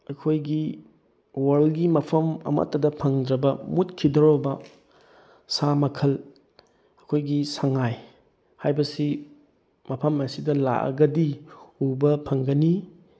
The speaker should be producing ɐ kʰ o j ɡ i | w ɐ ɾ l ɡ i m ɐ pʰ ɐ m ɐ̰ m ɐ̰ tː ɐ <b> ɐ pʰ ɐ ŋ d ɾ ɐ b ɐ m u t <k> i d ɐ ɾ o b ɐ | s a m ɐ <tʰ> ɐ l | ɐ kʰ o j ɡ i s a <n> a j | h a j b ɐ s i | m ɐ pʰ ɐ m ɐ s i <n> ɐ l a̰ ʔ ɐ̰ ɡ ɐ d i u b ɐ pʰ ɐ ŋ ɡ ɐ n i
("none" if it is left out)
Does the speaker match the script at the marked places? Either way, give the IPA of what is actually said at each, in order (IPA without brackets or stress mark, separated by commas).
d, kʰ, kʰ, ŋ, d